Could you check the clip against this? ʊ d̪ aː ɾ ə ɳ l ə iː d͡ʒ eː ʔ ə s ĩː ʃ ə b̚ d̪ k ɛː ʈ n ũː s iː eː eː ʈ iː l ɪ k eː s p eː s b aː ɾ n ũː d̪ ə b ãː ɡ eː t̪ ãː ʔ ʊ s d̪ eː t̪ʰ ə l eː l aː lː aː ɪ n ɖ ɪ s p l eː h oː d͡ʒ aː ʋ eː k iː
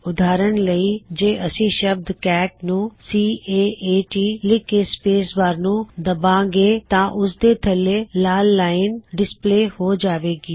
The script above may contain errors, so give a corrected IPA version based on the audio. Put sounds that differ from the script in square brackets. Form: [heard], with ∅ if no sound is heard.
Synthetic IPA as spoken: ʊ d̪ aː ɾ ə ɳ l ə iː d͡ʒ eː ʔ ə s ĩː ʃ ə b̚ d̪ k ɛː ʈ n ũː s iː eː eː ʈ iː l ɪ k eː s p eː s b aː ɾ n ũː d̪ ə b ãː ɡ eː t̪ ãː ʔ ʊ s d̪ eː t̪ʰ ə l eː l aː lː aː ɪ n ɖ ɪ s p l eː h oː d͡ʒ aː ʋ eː [ɡ] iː